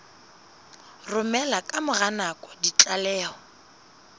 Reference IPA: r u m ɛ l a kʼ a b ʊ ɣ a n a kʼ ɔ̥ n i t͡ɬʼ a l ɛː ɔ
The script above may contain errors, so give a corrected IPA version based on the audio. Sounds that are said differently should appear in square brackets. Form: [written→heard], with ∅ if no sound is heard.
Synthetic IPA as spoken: r [u→ʊ] m ɛ l a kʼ a [b→m] ʊ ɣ a n a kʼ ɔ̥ [n→d] i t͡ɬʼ a l ɛː ɔ